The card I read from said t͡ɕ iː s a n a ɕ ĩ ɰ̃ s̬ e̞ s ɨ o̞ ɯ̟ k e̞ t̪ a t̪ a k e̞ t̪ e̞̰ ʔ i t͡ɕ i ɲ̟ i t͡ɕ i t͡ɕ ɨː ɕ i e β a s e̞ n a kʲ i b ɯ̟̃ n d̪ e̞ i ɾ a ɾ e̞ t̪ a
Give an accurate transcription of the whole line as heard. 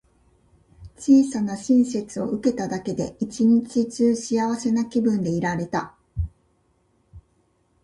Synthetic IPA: t͡ɕ iː s a n a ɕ ĩ ɰ̃ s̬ e̞ t͡s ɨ o̞ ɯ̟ k e̞ t̪ a d̪ a k e̞ d̪ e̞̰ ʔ i t͡ɕ i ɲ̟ i t͡ɕ i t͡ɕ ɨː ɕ i a β a s e̞ n a kʲ i b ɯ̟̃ n d̪ e̞ i ɾ a ɾ e̞ t̪ a